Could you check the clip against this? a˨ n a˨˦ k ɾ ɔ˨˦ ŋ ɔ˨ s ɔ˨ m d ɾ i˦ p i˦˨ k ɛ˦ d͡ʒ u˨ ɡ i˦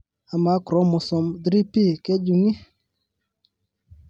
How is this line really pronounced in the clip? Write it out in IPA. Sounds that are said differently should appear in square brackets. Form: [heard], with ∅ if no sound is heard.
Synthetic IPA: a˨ [m] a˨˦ k ɾ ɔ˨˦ [m] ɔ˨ s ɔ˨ m d ɾ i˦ p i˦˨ k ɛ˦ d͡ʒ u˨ [ŋ] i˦